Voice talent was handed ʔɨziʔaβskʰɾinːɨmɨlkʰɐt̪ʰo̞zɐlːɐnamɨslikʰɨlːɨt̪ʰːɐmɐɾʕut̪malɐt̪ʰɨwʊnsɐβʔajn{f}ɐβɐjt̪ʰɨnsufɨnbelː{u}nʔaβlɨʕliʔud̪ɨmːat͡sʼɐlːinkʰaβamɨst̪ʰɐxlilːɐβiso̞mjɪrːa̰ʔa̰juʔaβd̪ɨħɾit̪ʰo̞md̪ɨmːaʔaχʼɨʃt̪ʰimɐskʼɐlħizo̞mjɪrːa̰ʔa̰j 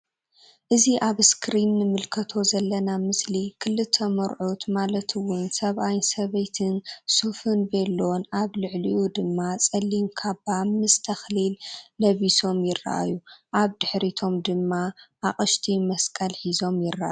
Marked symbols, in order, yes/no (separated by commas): no, no